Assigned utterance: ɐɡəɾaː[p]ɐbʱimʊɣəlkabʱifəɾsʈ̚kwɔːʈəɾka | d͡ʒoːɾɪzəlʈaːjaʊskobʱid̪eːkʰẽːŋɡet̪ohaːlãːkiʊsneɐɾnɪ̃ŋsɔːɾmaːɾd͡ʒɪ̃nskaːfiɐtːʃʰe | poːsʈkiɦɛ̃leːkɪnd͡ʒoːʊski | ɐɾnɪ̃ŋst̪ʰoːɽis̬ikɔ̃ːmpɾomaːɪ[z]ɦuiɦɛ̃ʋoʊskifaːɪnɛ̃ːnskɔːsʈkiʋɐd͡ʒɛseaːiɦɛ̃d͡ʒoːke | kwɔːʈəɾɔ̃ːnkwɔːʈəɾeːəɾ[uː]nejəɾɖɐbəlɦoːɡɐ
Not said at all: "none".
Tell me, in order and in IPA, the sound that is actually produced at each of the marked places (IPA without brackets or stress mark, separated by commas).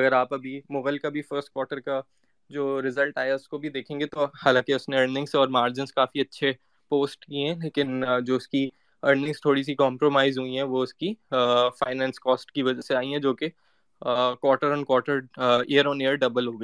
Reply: p, z, ɔː